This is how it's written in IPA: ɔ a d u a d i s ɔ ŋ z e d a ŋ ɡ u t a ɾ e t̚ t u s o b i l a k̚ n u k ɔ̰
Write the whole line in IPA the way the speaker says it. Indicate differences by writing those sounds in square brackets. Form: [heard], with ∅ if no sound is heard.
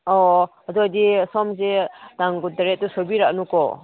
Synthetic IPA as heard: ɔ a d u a d i s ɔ [m] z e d a ŋ ɡ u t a ɾ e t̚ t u s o b i [ɾ] a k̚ n u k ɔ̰